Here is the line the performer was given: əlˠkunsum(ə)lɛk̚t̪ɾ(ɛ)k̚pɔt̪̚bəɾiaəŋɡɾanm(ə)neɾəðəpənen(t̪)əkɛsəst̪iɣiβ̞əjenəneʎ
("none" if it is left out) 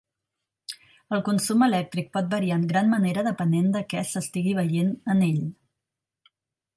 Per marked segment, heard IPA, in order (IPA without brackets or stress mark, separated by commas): ə, i, ə, d̪